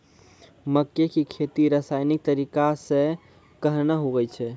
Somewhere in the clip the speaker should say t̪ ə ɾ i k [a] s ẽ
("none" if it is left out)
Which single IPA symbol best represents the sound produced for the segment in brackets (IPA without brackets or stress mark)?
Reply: a